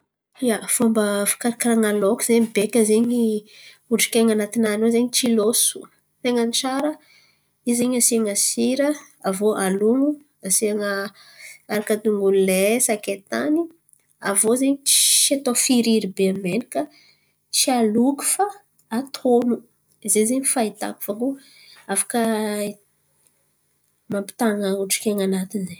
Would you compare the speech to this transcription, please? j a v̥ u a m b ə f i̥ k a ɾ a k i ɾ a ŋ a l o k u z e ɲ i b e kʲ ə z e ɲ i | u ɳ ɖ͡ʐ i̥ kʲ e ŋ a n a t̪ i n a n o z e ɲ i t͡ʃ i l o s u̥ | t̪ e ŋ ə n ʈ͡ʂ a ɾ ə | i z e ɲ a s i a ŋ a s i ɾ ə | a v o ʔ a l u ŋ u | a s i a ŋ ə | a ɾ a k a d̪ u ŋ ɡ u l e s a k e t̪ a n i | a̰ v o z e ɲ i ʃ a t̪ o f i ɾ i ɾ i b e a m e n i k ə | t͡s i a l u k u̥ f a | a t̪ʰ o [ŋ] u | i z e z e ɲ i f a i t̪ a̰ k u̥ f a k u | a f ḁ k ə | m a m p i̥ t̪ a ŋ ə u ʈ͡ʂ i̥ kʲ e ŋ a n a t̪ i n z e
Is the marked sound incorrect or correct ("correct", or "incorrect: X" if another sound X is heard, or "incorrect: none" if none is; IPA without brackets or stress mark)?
incorrect: n